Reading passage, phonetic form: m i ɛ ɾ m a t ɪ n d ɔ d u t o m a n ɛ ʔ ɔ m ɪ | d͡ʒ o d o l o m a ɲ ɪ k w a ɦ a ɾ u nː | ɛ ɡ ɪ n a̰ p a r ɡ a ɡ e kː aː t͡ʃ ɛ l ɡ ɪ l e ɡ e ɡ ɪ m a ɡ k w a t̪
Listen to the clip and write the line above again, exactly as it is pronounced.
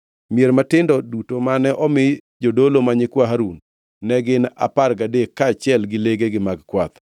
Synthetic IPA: m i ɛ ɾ m a t ɪ n d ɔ d u t o m a n ɛ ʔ ɔ m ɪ | d͡ʒ o d o l o m a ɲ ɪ k w a ɦ a ɾ u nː | ɛ ɡ ɪ n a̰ p a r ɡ a d e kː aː t͡ʃ ɛ l ɡ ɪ l e ɡ e ɡ ɪ m a ɡ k w a t̪